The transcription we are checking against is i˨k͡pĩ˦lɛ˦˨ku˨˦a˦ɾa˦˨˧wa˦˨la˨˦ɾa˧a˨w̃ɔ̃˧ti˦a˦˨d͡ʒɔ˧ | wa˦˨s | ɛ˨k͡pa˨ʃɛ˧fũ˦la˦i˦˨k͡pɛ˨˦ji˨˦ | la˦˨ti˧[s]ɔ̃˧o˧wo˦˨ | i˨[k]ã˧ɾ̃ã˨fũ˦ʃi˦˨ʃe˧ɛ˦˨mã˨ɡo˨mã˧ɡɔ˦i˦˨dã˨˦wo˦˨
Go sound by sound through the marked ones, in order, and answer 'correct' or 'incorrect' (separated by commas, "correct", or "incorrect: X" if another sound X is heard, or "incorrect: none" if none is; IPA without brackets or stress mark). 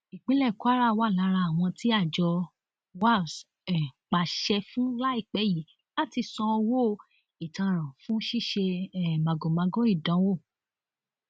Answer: correct, incorrect: t